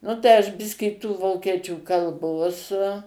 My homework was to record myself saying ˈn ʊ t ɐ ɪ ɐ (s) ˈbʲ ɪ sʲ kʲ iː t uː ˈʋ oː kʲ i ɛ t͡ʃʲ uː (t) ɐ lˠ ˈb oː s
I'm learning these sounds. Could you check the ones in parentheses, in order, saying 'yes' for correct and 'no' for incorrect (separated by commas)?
no, no